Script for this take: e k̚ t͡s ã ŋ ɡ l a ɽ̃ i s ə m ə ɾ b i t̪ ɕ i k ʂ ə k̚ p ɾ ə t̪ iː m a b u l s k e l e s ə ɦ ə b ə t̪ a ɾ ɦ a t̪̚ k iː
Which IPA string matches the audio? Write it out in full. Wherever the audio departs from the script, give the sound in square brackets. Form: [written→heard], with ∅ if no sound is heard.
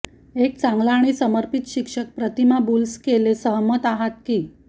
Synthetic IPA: e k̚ t͡s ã ŋ ɡ l a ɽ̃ i s ə m ə ɾ [b→p] i t̪ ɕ i k ʂ ə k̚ p ɾ ə t̪ [iː→i] m a b u l s k e l e s ə ɦ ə [b→m] ə t̪ a [ɾ→∅] ɦ a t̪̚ k iː